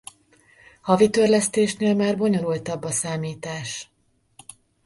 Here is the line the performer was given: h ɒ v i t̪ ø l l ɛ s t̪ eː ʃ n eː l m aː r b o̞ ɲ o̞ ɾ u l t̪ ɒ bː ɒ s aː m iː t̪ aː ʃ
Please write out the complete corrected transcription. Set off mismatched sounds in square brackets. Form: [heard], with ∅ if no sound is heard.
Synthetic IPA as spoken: h ɒ v i t̪ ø [r] l ɛ s t̪ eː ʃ n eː l m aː r b o̞ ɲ o̞ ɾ u l t̪ ɒ bː ɒ s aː m iː t̪ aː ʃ